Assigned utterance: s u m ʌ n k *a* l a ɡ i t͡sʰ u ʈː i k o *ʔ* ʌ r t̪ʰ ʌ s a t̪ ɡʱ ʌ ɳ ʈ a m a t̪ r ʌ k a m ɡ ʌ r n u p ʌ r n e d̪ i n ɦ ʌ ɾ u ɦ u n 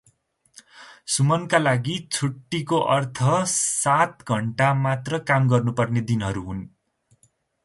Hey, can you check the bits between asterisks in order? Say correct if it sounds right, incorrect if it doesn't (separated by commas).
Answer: correct, correct